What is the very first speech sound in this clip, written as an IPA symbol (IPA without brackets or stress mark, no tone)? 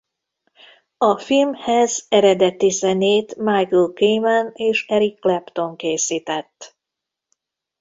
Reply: ɒ